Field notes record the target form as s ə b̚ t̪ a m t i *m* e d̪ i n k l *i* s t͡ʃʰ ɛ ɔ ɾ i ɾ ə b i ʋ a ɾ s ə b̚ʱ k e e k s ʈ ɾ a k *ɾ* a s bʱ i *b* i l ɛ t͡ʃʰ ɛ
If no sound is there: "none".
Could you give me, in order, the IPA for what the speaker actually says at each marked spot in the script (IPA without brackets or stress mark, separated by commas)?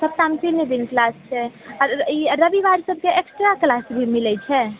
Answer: n, a, l, m